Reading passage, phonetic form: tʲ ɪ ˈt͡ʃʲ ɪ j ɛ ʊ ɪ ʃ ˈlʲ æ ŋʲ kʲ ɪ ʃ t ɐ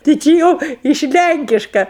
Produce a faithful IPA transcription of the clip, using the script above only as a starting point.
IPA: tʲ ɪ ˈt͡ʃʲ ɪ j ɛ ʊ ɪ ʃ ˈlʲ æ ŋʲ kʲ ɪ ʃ k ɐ